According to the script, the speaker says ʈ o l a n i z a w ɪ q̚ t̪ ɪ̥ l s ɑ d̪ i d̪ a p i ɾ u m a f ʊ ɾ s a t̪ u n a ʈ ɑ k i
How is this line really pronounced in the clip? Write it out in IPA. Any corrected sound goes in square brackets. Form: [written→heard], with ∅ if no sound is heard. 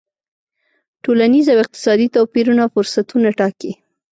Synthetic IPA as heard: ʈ o l a n i z a w ɪ q̚ t̪ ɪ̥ [l→∅] s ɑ d̪ i [d̪→t̪] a p i ɾ u [m→n] a f ʊ ɾ s a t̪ u n a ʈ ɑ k i